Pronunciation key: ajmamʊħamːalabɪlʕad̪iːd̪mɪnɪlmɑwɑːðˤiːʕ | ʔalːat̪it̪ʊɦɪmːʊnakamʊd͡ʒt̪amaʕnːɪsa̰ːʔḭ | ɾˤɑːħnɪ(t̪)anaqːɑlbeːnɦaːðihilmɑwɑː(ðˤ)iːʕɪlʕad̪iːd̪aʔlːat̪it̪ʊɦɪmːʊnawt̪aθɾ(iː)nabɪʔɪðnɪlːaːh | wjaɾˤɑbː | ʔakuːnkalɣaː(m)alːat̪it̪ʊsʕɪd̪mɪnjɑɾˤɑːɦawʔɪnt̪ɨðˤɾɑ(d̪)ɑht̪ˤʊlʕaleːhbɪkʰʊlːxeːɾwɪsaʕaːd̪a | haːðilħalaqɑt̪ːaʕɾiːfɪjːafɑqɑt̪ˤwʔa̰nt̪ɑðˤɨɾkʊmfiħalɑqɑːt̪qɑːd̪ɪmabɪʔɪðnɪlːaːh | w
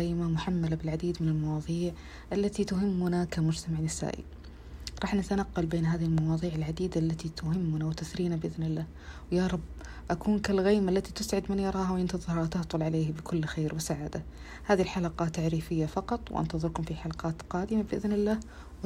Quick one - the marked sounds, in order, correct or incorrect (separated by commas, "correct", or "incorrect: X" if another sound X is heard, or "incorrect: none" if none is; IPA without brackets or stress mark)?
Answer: correct, correct, correct, correct, incorrect: t̪